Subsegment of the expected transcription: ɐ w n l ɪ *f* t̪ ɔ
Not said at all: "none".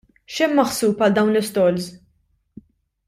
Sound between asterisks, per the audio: s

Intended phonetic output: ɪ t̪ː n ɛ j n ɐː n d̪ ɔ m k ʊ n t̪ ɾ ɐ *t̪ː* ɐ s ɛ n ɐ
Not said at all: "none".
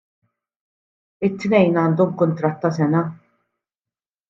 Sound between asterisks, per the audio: t̪ː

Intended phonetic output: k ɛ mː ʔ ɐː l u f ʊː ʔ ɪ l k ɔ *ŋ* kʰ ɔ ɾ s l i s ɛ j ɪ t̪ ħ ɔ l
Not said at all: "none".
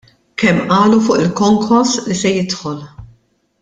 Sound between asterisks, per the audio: ŋ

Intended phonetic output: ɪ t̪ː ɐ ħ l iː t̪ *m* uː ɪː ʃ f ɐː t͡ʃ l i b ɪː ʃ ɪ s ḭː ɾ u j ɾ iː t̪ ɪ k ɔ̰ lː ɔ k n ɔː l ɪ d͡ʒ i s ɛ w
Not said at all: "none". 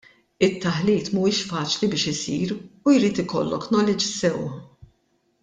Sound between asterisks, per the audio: m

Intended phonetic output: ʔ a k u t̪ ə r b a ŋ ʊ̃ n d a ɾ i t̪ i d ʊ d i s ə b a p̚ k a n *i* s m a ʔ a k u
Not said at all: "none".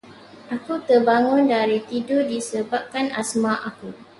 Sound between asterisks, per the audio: a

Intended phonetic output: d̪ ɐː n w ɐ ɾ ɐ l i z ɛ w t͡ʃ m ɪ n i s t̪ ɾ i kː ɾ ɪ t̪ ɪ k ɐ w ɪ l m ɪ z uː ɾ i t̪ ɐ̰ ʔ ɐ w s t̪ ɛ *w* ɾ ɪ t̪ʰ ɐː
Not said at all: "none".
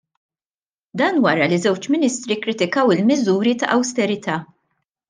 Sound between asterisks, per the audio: none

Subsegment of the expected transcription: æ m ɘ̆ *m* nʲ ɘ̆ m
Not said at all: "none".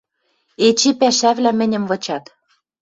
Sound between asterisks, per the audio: none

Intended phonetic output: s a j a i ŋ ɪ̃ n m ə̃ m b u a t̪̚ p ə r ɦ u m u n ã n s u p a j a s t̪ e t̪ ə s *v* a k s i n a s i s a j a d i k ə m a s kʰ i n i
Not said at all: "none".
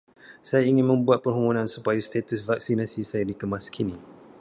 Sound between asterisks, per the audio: v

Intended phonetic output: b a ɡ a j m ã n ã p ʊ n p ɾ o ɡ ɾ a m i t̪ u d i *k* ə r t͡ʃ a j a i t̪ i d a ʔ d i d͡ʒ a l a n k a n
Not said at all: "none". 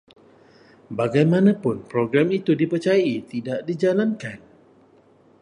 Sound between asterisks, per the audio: p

